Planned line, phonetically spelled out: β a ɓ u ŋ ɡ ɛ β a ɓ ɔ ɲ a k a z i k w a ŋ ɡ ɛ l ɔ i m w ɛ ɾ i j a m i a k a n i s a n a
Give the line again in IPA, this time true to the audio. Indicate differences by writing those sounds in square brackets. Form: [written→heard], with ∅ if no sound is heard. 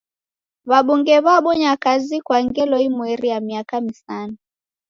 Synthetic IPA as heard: β a ɓ u ŋ ɡ ɛ β a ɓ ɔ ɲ a k a z i k w a ŋ ɡ ɛ l ɔ i m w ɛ ɾ i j a m i a k a [n→m] i s a n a